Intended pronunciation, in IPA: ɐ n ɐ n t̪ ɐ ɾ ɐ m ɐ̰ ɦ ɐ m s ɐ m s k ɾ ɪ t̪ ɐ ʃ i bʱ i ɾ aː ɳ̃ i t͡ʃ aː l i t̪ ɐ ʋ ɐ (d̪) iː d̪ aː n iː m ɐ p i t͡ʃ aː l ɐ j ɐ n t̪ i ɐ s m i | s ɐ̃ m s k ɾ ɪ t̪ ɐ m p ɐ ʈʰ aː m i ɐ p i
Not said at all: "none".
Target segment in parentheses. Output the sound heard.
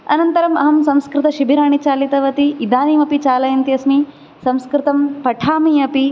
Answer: t̪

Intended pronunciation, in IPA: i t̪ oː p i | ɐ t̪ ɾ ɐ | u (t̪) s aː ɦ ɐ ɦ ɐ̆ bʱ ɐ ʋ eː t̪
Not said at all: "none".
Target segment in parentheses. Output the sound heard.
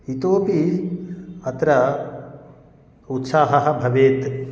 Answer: t̪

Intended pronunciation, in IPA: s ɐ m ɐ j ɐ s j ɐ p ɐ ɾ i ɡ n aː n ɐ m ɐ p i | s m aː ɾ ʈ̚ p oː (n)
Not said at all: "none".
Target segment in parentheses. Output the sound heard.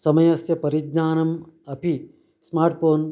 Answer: n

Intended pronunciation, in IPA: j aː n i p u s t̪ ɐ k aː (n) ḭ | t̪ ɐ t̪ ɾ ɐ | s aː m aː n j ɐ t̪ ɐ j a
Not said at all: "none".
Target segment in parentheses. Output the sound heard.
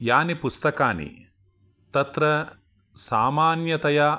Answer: n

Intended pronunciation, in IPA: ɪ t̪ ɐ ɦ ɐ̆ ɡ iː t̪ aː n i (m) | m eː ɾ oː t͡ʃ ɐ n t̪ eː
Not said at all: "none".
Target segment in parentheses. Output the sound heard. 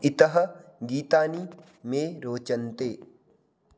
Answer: none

